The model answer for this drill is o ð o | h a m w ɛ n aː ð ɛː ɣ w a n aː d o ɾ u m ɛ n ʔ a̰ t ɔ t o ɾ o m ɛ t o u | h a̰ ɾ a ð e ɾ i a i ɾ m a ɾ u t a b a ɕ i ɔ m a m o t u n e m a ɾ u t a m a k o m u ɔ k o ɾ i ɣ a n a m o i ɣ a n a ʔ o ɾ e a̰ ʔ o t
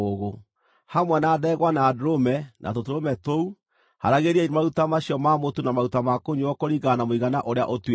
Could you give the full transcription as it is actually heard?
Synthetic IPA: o ɣ o | h a m w ɛ n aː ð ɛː ɣ w a n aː d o ɾ o m ɛ n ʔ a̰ t o t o ɾ o m ɛ t o u | h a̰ ɾ a ɣ e ɾ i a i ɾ m a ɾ u t a m a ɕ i ɔ m a m o t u n a m a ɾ u t a m a k o ɲ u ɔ k o ɾ i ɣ a n a m o i ɣ a n a ʔ o ɾ e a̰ ʔ o t